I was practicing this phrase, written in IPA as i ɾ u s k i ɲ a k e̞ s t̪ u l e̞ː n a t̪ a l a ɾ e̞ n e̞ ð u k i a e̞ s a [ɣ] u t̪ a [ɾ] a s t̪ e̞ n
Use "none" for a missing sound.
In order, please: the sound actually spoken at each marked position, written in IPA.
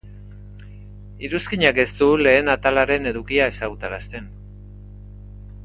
ɣ, ɾ

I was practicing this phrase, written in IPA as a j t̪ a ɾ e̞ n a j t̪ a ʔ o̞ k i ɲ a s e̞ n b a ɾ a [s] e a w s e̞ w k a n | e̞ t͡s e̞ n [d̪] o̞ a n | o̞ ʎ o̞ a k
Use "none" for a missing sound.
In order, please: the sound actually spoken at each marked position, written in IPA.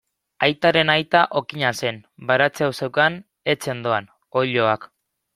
t͡s, d̪

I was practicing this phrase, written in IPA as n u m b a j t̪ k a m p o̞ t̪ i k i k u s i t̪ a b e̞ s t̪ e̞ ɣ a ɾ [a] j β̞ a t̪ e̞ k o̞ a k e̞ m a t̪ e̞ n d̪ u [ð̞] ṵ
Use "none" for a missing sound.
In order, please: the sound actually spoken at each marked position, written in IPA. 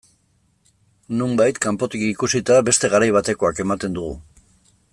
a, ɣ̞

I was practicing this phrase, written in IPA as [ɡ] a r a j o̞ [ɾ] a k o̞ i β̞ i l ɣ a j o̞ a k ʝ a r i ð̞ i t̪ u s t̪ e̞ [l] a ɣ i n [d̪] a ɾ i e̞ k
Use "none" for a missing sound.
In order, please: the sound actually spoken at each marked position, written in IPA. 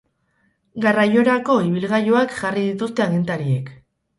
ɡ, ɾ, none, t̪

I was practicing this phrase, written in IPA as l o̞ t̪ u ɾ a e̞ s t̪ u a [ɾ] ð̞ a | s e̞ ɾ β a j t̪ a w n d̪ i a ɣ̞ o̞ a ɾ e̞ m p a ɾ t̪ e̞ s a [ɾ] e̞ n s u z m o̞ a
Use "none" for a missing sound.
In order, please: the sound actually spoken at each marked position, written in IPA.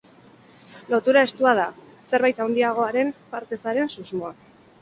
none, ɾ

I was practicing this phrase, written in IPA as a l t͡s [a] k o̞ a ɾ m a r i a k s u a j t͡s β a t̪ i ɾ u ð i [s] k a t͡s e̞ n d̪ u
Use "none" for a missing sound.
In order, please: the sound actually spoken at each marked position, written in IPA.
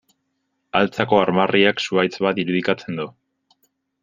a, none

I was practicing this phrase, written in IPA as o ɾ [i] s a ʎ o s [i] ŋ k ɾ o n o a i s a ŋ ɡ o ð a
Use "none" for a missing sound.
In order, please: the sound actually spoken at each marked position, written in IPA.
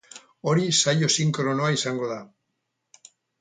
i, i

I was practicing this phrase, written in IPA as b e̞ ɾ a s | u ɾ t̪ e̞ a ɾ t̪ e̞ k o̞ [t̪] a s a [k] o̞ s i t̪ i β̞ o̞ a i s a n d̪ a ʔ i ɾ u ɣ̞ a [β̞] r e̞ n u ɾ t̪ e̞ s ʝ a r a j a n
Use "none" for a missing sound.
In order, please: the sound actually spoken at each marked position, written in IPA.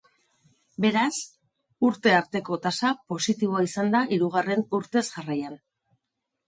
t̪, p, none

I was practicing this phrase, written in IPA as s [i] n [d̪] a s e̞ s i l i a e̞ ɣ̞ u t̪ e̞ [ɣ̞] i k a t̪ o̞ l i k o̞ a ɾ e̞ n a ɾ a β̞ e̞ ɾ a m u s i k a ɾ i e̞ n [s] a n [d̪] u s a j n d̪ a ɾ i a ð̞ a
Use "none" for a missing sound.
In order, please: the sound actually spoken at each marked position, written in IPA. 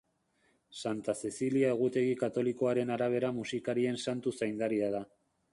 a, t̪, ɣ̞, s, t̪

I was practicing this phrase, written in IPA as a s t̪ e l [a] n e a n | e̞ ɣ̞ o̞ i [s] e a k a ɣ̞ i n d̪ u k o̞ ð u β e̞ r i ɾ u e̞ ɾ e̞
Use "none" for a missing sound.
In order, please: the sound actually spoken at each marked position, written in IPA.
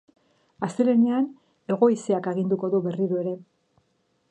e, s

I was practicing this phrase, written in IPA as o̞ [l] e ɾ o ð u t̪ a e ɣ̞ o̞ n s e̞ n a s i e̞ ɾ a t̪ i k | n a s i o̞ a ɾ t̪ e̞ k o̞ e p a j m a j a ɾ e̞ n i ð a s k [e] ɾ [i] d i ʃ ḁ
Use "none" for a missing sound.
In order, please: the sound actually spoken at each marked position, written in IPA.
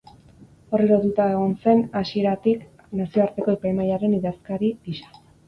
r, a, i

